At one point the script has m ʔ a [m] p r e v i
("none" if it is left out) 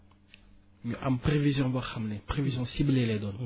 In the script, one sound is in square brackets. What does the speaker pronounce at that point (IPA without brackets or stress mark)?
m